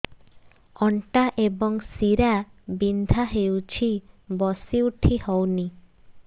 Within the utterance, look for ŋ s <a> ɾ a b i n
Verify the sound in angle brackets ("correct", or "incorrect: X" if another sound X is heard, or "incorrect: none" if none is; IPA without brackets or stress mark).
incorrect: i